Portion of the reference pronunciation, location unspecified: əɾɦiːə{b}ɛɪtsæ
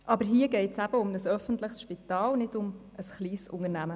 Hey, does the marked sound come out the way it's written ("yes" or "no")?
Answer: no